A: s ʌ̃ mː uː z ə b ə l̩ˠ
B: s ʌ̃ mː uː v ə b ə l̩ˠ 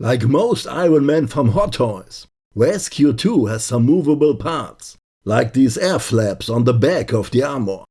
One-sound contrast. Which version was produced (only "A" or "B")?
B